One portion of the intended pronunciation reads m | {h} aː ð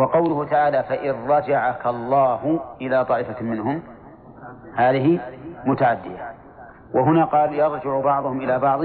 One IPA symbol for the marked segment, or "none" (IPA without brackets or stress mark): h